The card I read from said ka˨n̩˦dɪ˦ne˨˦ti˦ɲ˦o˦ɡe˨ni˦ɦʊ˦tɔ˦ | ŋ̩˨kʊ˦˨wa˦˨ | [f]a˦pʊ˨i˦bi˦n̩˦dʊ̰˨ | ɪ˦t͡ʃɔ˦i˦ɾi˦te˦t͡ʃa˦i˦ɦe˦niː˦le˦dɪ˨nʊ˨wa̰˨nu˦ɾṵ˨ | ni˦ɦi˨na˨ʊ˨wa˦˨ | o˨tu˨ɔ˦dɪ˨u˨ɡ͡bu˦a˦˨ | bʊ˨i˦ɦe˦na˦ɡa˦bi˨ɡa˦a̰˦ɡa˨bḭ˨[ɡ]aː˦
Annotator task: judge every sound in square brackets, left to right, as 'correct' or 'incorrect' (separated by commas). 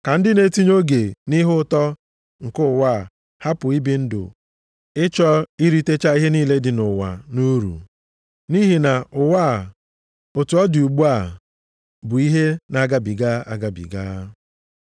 incorrect, correct